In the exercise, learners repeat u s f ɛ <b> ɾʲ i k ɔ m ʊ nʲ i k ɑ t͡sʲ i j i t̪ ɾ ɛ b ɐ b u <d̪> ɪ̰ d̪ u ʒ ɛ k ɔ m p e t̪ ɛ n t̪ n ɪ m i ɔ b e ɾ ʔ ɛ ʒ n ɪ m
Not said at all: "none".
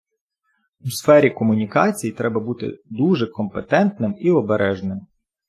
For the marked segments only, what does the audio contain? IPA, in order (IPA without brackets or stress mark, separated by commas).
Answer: none, t̪